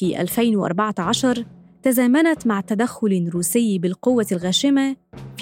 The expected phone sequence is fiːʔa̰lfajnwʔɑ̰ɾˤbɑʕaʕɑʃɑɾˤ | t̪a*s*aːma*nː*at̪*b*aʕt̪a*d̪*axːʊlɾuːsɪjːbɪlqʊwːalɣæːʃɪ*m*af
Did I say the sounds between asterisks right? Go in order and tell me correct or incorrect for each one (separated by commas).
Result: incorrect, incorrect, incorrect, correct, correct